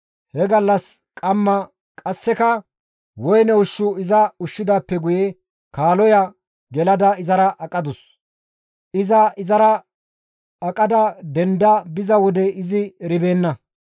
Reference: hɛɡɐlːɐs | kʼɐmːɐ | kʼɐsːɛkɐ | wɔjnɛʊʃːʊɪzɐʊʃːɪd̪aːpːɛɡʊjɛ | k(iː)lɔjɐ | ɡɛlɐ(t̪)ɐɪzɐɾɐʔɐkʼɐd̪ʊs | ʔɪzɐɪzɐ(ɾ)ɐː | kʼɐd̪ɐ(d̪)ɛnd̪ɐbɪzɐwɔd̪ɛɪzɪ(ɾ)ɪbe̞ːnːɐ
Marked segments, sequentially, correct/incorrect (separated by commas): incorrect, incorrect, correct, correct, correct